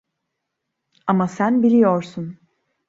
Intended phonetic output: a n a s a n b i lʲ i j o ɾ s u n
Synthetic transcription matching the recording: a m a s æ n b i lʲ i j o ɾ s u n

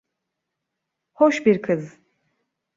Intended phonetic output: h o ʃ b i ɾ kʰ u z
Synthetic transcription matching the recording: h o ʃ b i ɾ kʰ ɯ z

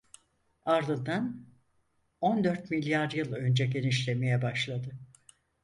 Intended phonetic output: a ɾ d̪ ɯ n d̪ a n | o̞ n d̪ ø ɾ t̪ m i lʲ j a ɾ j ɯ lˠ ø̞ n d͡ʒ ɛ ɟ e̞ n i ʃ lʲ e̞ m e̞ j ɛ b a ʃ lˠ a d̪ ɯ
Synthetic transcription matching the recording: a ɾ d̪ ɯ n d̪ a n | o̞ n d̪ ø ɾ t̪ m i lʲ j a ɾ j ɯ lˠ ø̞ n d͡ʒ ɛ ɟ e̞ n i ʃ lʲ e̞ m e̞ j ɛ b a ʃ lˠ a d̪ ɯ

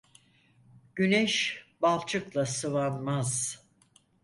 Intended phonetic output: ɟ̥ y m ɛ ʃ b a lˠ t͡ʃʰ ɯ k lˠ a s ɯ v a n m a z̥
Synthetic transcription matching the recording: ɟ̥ y n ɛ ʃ b a lˠ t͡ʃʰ ɯ k lˠ a s ɯ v a n m a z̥

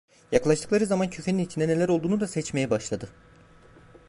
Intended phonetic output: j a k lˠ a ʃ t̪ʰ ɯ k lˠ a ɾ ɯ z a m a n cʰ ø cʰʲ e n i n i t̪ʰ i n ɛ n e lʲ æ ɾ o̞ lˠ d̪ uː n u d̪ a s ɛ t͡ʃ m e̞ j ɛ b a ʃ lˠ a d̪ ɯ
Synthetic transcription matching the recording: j a k lˠ a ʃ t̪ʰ ɯ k lˠ a ɾ ɯ z a m a n cʰ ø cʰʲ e n i n i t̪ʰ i n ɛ n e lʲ æ ɾ o̞ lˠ d̪ uː n u d̪ a s ɛ t͡ʃ m e̞ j ɛ b a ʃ lˠ a d̪ ɯ

